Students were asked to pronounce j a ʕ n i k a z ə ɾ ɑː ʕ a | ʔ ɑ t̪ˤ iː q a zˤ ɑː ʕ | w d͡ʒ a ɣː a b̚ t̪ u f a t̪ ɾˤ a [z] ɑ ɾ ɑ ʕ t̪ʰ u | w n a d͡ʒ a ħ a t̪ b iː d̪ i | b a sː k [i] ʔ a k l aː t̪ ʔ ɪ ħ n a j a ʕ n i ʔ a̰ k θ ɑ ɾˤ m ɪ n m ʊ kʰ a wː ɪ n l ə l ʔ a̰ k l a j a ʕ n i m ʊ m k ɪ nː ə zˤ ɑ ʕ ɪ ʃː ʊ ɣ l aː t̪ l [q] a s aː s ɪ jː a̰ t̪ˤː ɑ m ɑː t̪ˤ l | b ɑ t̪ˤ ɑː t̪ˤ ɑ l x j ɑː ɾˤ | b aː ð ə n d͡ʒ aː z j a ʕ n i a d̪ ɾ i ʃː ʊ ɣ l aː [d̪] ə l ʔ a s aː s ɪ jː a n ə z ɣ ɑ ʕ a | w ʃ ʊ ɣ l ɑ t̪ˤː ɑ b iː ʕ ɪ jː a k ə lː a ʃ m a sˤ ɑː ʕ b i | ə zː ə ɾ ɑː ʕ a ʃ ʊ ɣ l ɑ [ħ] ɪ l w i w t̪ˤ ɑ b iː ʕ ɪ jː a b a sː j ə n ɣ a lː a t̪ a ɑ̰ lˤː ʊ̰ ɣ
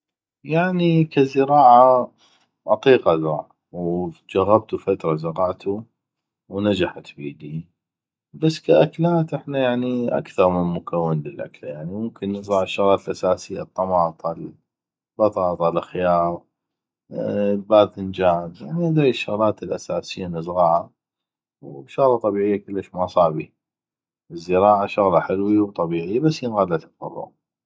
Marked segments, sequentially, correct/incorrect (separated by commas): correct, incorrect, incorrect, incorrect, correct